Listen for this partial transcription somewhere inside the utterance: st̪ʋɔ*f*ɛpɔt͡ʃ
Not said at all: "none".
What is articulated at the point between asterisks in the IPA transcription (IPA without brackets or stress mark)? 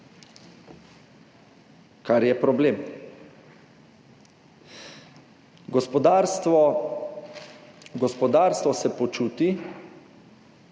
s